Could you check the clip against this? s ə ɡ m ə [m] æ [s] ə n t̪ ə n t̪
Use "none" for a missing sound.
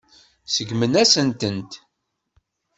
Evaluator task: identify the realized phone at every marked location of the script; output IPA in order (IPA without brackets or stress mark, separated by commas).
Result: n, s